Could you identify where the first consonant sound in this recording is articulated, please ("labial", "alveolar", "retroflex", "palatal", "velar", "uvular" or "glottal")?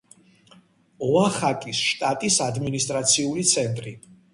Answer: uvular